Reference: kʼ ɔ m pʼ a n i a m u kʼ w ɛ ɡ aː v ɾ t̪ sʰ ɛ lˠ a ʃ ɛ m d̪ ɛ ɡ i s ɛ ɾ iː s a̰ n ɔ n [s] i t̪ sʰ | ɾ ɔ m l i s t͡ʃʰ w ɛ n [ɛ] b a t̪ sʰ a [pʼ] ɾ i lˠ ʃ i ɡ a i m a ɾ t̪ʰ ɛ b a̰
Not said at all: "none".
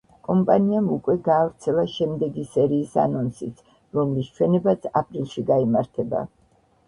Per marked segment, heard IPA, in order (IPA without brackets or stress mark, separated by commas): s, ɛ, pʼ